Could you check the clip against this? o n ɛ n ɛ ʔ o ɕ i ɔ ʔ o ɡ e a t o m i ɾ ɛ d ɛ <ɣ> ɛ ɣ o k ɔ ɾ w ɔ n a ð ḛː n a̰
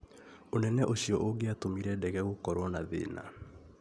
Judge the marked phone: correct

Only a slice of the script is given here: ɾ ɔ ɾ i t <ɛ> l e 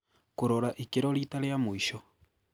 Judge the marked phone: incorrect: a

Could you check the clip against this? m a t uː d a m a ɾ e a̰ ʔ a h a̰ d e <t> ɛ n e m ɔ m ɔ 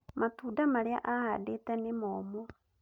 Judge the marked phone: correct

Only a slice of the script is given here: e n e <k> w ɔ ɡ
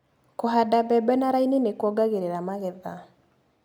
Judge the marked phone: correct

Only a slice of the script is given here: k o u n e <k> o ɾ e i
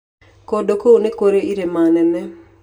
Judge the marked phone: correct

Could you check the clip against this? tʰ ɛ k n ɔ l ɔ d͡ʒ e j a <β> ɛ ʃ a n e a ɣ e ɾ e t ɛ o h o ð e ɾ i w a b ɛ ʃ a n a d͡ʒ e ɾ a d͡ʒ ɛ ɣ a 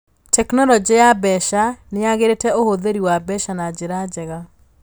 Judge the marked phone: incorrect: b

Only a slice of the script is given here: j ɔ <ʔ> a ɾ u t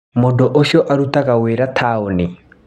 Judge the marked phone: correct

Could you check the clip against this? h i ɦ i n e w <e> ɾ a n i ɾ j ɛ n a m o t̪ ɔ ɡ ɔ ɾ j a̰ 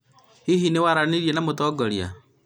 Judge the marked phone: incorrect: a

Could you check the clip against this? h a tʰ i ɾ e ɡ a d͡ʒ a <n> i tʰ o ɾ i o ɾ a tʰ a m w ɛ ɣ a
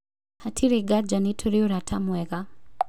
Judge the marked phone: correct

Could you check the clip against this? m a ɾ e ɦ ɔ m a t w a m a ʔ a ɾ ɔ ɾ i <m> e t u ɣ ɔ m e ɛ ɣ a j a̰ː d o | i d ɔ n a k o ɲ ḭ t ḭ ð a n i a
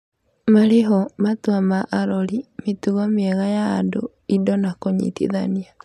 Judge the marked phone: correct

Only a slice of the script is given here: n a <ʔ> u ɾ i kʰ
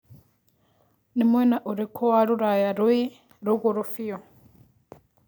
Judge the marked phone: correct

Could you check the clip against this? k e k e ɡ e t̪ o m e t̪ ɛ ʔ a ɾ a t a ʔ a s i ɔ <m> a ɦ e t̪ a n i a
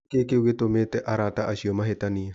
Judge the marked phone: correct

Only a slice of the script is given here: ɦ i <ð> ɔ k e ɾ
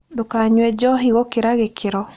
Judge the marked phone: incorrect: ɣ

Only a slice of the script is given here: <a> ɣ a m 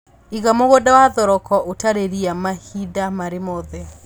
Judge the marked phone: incorrect: i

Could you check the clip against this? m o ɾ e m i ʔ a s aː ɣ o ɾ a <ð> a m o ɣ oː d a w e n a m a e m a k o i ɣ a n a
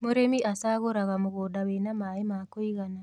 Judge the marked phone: incorrect: ɣ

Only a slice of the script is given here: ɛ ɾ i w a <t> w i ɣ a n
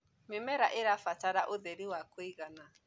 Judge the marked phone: incorrect: k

